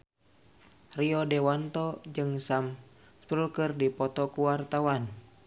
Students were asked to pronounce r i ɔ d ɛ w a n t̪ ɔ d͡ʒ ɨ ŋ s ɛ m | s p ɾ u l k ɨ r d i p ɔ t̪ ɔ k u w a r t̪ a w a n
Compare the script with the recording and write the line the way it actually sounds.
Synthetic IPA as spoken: r i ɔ d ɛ w a n t̪ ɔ d͡ʒ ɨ ŋ s a m | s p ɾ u l k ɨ r d i p ɔ t̪ ɔ k u w a r t̪ a w a n